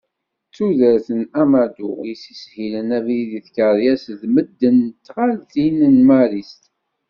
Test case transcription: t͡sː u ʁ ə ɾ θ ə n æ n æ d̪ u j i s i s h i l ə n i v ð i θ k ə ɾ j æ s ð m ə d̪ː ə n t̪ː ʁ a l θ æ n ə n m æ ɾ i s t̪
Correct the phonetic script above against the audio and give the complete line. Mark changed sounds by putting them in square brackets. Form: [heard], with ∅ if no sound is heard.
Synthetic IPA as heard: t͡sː u [ð] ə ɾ θ ə n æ [m] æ d̪ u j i s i s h i l ə n [æ] v ð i θ k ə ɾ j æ s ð m ə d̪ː ə n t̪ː ʁ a l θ [i] n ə n m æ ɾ i s t̪